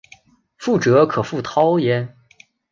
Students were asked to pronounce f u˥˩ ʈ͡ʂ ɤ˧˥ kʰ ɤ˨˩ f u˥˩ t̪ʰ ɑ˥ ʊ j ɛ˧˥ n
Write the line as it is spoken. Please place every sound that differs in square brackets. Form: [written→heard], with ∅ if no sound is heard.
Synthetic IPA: f u˥˩ ʈ͡ʂ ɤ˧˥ kʰ ɤ˨˩ f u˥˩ t̪ʰ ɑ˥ ʊ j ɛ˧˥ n